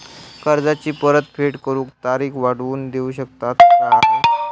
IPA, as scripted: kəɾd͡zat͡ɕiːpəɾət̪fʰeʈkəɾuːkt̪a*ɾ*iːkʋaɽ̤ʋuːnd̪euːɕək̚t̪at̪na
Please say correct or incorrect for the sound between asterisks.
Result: correct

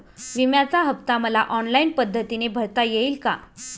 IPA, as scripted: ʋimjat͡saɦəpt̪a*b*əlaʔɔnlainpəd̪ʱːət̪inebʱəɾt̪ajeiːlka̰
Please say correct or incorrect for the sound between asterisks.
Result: incorrect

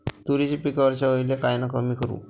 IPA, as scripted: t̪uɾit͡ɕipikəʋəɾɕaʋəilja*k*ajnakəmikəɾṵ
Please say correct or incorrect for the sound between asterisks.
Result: correct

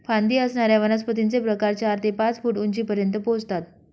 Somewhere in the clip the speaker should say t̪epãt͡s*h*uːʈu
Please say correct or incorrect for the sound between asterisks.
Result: incorrect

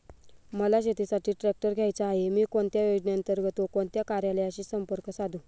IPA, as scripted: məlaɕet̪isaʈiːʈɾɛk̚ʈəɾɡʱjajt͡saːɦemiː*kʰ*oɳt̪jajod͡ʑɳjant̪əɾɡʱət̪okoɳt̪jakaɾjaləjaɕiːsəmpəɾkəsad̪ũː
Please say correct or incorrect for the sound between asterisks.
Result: incorrect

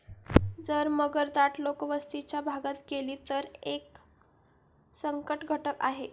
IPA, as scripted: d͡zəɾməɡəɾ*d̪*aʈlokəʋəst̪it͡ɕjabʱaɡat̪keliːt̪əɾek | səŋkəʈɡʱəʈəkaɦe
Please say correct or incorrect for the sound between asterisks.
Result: correct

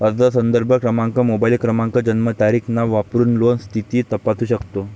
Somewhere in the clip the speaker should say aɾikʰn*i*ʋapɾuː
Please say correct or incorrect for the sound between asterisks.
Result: incorrect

